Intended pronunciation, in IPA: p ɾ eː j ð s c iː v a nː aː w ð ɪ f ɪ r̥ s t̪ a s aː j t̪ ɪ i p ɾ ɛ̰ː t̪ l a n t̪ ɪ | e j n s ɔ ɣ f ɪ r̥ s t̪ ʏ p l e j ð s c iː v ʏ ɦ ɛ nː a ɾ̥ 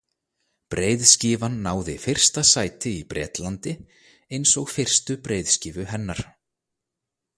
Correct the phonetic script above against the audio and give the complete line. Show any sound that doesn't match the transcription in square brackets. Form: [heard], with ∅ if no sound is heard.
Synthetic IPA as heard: p ɾ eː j ð s c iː v a nː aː w ð ɪ f ɪ r̥ s t̪ a s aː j t̪ ɪ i p ɾ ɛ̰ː t̪ l a n t̪ ɪ | e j n s ɔ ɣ f ɪ r̥ s t̪ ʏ p [ɾ] e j ð s c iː v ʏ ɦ ɛ nː a ɾ̥